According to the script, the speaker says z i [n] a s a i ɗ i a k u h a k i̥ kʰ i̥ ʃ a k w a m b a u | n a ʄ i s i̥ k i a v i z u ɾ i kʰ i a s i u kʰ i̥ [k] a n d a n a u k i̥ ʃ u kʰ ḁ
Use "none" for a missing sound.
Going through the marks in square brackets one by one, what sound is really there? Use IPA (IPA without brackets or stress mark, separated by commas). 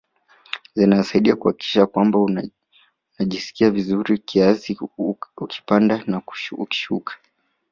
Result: n, p